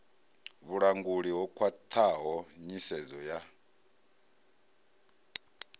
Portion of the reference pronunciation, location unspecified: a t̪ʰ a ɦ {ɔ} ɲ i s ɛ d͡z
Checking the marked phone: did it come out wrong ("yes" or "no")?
no